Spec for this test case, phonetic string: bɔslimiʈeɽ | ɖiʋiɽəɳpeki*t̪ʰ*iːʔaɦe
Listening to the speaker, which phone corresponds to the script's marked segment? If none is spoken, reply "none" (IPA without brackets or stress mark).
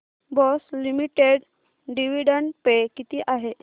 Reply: t̪